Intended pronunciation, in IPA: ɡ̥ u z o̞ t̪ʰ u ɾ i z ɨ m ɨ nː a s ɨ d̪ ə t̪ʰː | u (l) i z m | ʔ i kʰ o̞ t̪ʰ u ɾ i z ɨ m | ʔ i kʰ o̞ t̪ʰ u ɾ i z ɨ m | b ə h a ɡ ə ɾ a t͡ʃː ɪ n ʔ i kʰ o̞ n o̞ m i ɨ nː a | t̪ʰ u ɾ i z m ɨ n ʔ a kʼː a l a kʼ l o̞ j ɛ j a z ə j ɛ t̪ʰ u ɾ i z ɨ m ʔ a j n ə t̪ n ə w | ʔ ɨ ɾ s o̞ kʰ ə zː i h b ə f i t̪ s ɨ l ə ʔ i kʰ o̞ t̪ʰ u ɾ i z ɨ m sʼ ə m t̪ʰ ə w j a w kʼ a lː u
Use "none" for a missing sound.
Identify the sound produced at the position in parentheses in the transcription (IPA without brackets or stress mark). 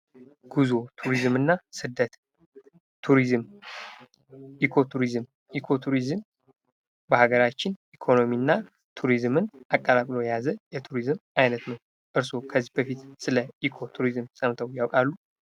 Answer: ɾ